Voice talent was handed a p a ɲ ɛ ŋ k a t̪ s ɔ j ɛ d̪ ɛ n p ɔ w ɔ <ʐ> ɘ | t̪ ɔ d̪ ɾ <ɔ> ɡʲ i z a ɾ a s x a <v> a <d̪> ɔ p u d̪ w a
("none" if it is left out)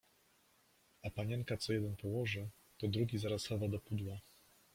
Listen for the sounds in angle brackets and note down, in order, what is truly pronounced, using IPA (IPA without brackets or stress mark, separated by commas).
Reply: ʐ, u, v, d̪